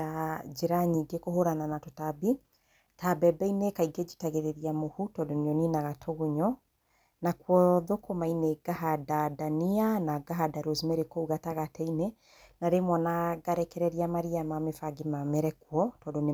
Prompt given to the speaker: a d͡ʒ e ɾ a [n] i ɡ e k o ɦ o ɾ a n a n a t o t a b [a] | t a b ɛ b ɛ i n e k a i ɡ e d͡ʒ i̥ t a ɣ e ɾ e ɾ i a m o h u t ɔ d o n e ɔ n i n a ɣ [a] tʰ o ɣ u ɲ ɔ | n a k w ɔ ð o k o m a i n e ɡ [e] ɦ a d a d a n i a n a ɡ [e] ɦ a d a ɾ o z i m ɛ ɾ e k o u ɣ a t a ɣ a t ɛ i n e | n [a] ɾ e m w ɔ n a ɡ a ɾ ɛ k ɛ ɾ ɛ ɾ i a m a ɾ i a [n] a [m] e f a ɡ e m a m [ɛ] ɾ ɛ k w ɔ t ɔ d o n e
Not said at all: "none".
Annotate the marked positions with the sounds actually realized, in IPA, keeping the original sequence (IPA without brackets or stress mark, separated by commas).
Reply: ɲ, i, a, a, a, a, m, m, ɛ